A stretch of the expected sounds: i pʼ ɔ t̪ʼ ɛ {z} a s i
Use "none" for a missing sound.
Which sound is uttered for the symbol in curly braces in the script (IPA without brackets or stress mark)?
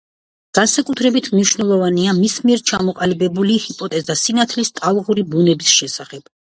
z